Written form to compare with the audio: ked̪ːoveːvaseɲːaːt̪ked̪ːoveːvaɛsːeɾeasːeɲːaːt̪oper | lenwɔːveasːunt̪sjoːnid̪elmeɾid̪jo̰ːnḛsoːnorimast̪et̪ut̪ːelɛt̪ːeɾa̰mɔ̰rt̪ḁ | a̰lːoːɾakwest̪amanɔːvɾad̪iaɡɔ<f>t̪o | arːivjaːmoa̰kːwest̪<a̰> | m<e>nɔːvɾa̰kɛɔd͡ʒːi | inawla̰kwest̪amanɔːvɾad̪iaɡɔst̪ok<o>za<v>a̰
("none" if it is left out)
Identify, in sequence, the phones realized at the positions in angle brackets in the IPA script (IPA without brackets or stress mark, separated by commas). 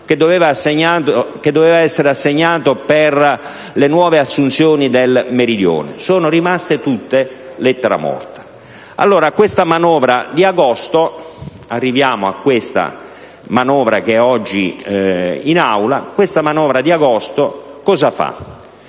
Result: s, a̰, a, ɔ, f